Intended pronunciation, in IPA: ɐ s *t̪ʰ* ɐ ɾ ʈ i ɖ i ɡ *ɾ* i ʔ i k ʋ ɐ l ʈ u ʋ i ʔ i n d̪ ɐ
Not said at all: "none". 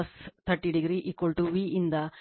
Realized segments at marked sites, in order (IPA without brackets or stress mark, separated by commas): t̪ʰ, ɾ